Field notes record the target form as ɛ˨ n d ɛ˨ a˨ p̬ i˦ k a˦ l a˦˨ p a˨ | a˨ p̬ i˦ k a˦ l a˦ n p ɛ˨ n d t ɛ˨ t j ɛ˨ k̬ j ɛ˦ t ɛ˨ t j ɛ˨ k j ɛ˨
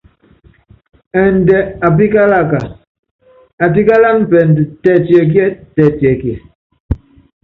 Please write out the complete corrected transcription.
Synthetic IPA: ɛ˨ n d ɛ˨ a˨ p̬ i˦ k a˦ l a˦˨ k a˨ | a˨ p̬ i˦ k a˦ l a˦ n p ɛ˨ n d t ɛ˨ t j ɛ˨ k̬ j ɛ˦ t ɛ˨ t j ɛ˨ k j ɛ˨